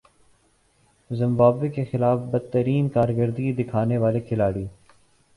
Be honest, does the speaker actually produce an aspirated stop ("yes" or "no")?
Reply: yes